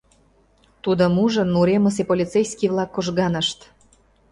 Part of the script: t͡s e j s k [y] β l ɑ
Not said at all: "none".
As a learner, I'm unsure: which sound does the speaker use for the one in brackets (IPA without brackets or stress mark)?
i